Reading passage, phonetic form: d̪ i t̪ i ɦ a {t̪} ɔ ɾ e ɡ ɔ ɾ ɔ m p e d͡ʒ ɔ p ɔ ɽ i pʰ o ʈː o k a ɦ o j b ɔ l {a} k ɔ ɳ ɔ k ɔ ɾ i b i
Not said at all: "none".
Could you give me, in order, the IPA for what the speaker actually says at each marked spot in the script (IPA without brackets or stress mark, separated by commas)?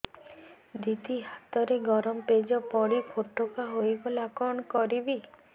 t̪, a